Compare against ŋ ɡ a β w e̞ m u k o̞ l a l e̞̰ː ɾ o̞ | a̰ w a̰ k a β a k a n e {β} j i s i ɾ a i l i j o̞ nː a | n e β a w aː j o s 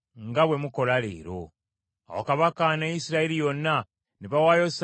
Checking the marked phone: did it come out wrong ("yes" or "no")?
yes